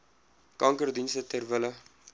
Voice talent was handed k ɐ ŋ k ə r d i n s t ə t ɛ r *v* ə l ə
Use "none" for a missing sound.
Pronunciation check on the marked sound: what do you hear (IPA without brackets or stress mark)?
v